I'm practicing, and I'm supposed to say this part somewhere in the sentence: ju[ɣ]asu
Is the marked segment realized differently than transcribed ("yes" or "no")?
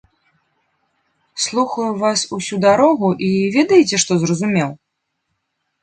yes